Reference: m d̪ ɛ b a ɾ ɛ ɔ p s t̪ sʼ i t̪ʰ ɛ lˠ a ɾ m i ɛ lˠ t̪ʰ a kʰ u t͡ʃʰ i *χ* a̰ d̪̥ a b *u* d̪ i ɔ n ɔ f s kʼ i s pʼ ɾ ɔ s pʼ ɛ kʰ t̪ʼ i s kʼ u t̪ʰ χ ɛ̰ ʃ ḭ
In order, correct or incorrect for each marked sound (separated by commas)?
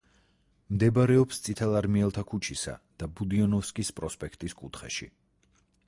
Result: incorrect, correct